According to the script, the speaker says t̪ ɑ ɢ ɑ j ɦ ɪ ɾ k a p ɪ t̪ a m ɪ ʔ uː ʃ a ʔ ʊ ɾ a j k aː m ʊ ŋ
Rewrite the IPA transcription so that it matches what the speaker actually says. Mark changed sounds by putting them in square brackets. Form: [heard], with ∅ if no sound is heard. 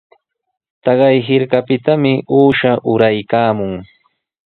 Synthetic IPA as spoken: t̪ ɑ ɢ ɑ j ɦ ɪ ɾ k a p ɪ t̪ a m ɪ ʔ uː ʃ a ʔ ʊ ɾ a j k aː m ʊ ŋ